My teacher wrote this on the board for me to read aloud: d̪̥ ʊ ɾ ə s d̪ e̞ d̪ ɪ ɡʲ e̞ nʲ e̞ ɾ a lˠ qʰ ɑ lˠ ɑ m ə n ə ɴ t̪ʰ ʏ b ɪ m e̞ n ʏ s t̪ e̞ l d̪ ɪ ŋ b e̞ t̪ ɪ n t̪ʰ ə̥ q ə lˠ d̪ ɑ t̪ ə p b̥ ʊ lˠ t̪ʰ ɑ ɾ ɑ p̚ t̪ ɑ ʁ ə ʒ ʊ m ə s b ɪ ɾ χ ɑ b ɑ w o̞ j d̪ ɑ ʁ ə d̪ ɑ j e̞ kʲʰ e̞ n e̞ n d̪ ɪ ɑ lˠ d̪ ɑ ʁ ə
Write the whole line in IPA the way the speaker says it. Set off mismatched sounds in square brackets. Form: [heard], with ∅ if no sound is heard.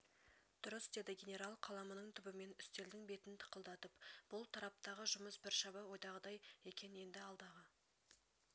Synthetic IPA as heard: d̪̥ ʊ ɾ ə s d̪ e̞ d̪ ɪ ɡʲ e̞ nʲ e̞ ɾ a lˠ qʰ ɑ lˠ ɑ m ə n ə ɴ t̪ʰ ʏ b ɪ m e̞ n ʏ s t̪ e̞ l d̪ ɪ ŋ b e̞ t̪ ɪ n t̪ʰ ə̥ q ə lˠ d̪ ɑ t̪ ə p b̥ ʊ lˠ t̪ʰ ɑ ɾ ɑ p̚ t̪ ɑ ʁ ə ʒ ʊ m ə s b ɪ ɾ [ʃ] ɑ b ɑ w o̞ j d̪ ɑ ʁ ə d̪ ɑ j e̞ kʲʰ e̞ n e̞ n d̪ ɪ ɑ lˠ d̪ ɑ ʁ ə